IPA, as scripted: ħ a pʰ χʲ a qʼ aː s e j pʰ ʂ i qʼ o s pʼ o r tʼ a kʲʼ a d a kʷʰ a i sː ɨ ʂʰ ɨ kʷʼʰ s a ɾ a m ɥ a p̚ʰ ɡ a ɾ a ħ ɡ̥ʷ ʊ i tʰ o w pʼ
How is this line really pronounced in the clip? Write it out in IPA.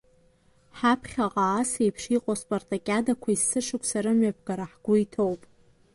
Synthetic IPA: ħ a pʰ χʲ a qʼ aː s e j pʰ ʂ i qʼ o s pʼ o r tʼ a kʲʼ a d a kʷʰ a i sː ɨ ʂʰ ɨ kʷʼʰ s a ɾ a m ɥ a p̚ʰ ɡ a ɾ a ħ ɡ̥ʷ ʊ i tʰ o w pʼ